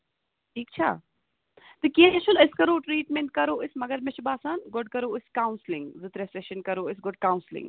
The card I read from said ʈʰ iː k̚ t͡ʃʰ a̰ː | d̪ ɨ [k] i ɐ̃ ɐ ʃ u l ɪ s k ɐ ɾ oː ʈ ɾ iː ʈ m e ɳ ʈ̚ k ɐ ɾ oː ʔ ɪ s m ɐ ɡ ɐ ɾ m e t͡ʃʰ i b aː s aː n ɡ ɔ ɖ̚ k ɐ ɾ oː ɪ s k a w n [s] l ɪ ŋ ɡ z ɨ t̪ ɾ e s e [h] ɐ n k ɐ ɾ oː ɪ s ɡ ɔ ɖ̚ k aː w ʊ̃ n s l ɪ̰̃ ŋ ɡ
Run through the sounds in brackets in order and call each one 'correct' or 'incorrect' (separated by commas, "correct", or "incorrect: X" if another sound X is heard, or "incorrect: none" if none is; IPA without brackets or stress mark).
correct, correct, incorrect: ʃ